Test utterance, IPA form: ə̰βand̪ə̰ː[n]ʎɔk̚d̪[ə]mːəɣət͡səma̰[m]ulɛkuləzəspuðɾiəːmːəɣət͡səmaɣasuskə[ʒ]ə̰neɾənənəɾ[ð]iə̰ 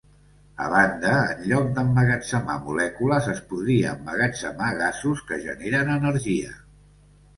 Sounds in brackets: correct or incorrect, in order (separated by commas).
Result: correct, correct, correct, correct, incorrect